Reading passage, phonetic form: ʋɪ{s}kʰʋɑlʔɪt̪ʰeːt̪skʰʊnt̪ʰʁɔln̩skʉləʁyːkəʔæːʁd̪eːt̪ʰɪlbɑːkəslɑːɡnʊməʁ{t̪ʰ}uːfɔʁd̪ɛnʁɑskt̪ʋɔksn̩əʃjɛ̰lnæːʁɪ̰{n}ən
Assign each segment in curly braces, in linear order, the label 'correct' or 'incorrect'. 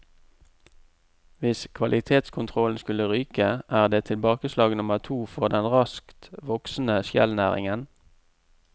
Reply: correct, correct, incorrect

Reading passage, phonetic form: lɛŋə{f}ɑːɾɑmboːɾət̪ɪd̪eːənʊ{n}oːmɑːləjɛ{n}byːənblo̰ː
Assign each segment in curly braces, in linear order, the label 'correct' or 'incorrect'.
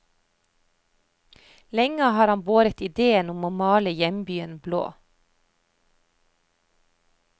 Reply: incorrect, incorrect, incorrect

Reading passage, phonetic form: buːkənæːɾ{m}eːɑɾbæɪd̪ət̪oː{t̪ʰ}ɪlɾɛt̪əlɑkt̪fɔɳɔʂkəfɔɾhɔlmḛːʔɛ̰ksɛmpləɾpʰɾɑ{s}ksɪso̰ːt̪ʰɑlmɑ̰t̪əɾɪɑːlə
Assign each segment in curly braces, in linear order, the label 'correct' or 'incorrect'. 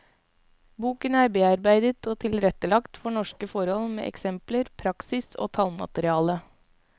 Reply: incorrect, correct, incorrect

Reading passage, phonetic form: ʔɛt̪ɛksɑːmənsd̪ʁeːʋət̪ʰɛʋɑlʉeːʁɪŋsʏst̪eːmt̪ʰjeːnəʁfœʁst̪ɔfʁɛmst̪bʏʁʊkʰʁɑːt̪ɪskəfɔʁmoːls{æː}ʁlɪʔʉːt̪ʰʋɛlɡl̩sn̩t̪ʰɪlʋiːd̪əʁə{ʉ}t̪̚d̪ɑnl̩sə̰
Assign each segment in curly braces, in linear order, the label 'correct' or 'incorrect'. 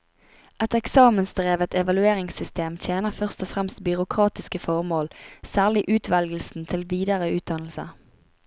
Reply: correct, incorrect

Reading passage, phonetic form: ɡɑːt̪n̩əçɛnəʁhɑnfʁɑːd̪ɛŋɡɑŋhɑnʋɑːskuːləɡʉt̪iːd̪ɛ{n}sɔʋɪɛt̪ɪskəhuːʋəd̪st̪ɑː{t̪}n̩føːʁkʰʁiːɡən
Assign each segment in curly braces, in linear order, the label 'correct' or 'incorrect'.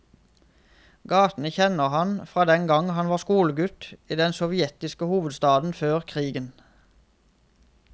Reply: correct, incorrect

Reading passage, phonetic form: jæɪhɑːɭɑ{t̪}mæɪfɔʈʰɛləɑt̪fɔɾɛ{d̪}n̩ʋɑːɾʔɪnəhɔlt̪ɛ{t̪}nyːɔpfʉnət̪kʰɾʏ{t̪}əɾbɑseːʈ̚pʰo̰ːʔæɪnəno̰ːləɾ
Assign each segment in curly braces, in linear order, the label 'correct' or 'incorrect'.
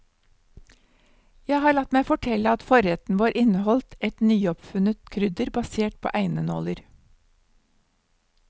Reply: correct, incorrect, correct, incorrect

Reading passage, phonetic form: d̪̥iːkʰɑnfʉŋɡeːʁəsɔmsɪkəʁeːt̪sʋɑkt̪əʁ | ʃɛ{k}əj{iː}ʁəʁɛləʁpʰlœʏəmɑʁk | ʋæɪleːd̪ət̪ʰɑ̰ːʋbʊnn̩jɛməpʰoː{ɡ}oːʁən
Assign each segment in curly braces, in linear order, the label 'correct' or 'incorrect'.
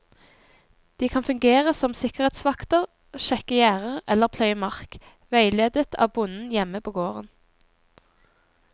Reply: correct, incorrect, correct

